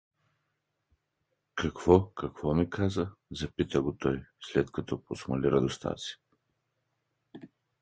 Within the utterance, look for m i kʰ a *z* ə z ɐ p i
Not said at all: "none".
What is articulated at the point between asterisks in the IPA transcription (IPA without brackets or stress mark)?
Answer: z